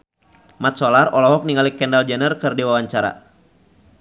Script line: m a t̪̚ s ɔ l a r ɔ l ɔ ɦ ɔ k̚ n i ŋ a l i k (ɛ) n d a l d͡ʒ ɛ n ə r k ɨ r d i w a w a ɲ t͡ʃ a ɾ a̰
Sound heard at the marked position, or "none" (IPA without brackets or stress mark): ɛ